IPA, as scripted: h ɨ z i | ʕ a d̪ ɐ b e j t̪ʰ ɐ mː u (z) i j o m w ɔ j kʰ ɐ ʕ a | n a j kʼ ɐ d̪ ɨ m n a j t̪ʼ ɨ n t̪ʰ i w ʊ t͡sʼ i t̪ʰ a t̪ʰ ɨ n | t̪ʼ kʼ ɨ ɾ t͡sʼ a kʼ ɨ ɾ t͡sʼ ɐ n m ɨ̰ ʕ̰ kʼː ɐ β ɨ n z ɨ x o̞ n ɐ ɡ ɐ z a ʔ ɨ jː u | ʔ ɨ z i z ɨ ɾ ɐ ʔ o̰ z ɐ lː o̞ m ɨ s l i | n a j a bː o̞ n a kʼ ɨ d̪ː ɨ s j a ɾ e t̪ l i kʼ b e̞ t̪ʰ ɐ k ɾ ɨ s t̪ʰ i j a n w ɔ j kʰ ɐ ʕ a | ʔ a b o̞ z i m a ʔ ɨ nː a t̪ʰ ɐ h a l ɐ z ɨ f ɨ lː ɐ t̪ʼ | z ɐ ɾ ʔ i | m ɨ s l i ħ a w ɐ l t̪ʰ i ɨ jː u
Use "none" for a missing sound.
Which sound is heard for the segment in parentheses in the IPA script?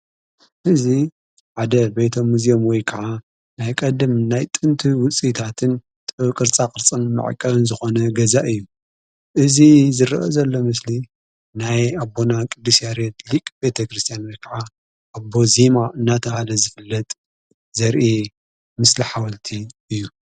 z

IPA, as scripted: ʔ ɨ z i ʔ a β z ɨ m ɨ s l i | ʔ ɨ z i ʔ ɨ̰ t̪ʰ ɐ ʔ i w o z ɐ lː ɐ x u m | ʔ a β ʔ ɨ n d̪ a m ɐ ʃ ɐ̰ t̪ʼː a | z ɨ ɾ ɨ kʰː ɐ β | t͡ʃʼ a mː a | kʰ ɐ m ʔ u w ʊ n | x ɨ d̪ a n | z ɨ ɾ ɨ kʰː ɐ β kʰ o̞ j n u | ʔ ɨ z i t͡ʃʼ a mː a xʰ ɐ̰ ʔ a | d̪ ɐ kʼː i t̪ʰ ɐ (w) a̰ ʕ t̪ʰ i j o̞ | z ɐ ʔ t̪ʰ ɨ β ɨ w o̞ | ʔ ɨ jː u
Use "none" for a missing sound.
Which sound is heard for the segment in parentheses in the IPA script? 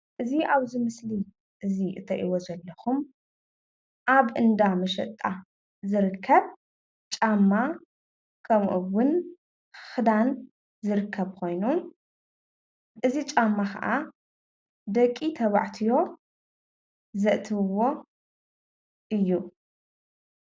β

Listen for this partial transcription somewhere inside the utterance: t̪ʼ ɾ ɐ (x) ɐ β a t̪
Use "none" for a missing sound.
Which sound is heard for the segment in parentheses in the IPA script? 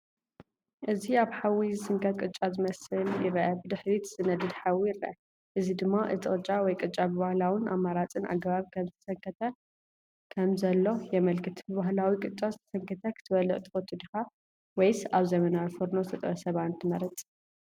s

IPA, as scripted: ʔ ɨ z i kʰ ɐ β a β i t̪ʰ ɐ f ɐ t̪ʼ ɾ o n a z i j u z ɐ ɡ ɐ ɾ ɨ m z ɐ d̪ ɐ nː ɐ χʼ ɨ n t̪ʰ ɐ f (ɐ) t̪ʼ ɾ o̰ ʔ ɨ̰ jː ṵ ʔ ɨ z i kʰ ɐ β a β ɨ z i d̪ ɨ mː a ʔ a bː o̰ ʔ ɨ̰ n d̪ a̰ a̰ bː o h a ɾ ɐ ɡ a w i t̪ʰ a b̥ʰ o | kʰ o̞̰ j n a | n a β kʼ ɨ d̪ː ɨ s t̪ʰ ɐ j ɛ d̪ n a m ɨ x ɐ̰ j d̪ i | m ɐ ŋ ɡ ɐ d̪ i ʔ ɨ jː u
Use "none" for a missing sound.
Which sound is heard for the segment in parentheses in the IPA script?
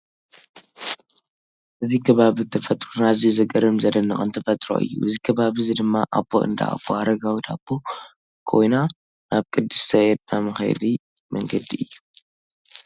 ɐ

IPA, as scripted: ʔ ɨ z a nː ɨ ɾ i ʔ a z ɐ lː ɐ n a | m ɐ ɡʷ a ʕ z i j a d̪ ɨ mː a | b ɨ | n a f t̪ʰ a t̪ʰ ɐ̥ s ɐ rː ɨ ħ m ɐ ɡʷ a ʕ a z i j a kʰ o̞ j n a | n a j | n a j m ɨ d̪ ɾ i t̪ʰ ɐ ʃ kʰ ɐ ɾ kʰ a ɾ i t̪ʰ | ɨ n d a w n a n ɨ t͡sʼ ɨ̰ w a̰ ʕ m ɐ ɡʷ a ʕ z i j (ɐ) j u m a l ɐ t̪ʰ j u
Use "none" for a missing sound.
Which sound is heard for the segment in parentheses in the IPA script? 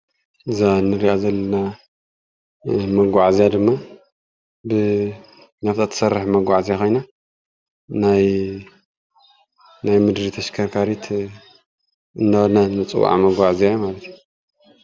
a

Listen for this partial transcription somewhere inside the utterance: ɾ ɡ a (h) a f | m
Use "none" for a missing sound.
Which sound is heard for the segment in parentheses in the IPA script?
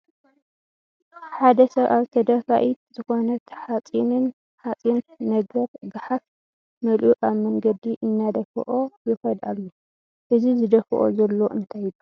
ħ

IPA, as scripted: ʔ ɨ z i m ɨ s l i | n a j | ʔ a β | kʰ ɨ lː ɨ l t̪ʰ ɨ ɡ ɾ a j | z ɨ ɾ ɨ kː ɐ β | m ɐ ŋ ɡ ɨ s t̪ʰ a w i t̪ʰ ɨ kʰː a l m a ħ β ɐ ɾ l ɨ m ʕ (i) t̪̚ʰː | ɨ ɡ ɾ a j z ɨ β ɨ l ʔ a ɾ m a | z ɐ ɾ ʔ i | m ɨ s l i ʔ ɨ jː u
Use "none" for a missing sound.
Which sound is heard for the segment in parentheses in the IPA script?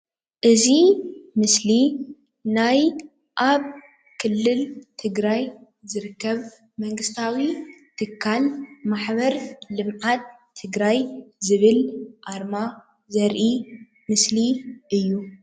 a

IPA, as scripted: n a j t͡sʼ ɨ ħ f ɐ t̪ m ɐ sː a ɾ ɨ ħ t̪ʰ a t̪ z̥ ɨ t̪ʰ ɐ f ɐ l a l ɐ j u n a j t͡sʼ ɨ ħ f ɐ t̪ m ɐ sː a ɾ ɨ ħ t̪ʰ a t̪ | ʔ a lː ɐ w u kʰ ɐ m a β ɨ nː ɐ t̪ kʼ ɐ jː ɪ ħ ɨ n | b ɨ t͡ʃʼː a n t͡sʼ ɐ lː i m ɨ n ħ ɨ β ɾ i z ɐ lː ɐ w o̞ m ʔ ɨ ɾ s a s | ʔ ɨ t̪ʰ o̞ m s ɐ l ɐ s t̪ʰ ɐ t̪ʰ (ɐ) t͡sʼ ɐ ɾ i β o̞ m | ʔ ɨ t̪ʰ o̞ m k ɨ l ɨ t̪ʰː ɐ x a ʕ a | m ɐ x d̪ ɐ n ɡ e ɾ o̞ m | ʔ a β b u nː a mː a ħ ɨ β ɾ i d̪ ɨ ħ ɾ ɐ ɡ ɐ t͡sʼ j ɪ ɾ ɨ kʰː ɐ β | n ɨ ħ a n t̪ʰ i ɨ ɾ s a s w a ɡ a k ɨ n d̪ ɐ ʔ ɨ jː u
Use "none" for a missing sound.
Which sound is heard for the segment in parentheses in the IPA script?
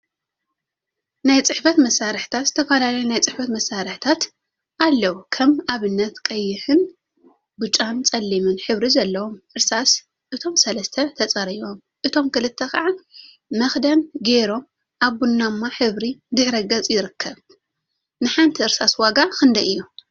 ɐ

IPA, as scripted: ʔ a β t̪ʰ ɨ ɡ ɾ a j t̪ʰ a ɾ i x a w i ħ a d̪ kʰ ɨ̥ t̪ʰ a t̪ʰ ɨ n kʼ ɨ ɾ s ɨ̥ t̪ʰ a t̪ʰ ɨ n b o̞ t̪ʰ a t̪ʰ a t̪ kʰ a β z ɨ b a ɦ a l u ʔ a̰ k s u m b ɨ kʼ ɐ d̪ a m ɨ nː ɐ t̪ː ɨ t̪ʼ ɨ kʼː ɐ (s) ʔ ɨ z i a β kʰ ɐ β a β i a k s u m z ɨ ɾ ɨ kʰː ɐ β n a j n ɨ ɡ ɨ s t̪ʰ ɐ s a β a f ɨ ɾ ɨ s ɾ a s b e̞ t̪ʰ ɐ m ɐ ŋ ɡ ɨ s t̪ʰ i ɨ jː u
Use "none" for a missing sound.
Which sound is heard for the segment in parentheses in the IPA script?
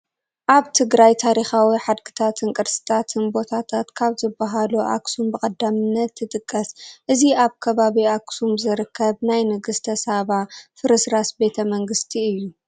s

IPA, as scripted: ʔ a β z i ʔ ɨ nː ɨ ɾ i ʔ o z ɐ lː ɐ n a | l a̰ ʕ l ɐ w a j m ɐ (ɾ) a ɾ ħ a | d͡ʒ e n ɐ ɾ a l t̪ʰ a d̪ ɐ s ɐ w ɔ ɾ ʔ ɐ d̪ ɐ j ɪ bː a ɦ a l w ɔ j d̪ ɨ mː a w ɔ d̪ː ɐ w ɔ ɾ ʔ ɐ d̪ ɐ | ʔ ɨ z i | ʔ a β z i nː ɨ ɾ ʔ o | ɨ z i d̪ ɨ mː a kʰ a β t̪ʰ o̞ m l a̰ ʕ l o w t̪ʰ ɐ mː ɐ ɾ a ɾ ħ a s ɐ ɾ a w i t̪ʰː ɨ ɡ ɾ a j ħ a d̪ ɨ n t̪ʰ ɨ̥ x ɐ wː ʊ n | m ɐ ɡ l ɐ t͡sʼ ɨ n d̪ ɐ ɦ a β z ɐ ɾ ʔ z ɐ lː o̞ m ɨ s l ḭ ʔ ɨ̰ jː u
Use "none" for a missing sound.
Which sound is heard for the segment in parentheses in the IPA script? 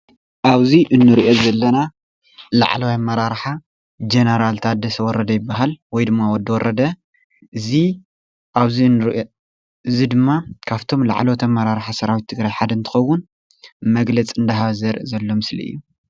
ɾ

